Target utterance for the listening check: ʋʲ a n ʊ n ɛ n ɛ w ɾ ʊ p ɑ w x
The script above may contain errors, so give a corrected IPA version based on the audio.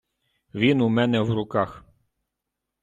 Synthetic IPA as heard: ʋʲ i n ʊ m ɛ n ɛ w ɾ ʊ k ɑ x